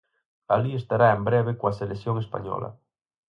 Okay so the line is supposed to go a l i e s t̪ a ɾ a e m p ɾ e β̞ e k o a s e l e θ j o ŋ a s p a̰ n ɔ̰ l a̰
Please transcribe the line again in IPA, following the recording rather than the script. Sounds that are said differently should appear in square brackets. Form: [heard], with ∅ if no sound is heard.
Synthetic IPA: a l i e s t̪ a ɾ a e m [b] ɾ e β̞ e k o a s e l e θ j o ŋ [e] s p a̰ [ɲ] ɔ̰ l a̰